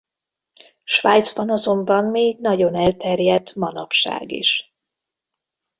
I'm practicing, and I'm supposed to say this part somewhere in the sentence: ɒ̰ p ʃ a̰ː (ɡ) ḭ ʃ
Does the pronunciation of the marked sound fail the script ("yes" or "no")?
no